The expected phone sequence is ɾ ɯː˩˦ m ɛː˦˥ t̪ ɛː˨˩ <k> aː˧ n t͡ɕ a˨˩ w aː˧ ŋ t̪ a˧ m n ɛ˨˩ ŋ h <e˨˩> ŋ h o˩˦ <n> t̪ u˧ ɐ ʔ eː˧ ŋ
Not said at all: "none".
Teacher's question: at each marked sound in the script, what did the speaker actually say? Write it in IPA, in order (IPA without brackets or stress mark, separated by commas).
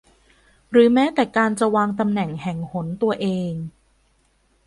k, ɛ˨˩, n